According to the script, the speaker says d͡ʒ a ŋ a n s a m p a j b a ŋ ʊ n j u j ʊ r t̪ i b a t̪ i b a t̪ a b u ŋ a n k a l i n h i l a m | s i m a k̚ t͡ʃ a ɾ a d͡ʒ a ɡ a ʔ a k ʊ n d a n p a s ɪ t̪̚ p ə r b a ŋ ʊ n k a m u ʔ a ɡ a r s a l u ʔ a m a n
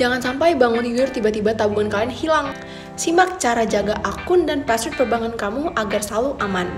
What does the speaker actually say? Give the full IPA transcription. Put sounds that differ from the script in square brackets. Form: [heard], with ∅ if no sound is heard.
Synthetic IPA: d͡ʒ a ŋ a n s a m p a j b a ŋ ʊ n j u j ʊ r t̪ i b a t̪ i b a t̪ a b u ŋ a n k a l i n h i l a [ŋ] | s i m a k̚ t͡ʃ a ɾ a d͡ʒ a ɡ a ʔ a k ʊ n d a n p a s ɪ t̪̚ p ə r b a ŋ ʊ n k a m u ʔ a ɡ a r s a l u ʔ a m a n